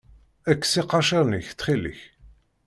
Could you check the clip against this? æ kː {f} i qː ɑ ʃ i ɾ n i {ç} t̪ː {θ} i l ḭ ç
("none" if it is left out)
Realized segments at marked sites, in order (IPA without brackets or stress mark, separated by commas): s, ç, χ